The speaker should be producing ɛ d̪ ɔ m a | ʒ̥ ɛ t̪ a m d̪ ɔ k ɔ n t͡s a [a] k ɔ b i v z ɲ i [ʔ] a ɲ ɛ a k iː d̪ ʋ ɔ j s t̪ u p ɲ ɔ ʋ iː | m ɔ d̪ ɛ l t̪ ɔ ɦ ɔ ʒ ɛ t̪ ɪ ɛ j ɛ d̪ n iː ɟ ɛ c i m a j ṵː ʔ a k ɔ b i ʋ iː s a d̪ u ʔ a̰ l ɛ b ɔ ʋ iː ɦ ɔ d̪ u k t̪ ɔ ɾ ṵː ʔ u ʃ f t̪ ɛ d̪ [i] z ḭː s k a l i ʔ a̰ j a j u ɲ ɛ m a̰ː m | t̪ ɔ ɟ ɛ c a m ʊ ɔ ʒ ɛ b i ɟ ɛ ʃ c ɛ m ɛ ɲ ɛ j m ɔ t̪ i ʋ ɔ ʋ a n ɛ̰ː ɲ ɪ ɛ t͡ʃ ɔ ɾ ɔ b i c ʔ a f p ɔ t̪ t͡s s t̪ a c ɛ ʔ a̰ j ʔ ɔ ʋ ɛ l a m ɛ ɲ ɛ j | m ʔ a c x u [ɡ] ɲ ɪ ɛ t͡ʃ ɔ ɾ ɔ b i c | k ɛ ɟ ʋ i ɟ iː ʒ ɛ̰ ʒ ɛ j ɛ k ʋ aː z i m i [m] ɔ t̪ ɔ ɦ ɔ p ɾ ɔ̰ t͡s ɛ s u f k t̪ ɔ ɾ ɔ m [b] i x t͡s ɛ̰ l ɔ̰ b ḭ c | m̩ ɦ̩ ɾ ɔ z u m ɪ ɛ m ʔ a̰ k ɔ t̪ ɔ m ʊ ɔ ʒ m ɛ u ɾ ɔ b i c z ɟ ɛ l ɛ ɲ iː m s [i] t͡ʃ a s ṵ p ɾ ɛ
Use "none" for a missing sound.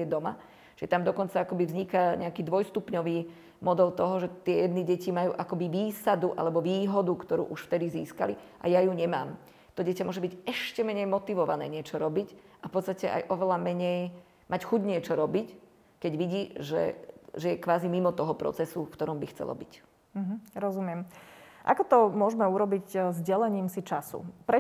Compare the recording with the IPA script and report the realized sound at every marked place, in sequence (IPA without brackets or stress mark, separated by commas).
a, k, i, ɟ, m, b, i